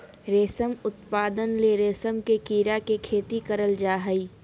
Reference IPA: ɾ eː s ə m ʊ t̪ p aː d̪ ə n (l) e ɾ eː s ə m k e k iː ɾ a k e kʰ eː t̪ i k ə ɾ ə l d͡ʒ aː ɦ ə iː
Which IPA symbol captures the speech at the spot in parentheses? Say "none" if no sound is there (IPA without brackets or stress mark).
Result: l